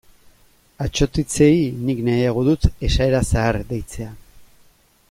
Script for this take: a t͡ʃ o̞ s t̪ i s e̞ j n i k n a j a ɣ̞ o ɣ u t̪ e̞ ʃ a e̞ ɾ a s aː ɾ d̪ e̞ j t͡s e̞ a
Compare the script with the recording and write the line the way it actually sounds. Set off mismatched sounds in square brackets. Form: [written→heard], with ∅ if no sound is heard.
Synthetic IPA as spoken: a t͡ʃ o̞ [s→∅] t̪ i [s→t͡s] e̞ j n i k n a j a ɣ̞ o [ɣ→ð] u t̪ e̞ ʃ a e̞ ɾ a s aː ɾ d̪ e̞ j t͡s e̞ a